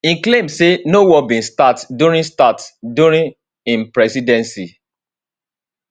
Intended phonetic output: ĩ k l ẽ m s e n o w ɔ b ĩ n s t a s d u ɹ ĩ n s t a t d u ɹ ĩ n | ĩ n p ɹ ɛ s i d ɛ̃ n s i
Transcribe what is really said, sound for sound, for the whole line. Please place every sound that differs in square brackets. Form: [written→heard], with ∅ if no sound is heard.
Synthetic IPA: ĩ k l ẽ m s e n o w ɔ b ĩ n s t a [s→t] d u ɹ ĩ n s t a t d u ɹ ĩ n | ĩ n p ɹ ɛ s i d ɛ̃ n s i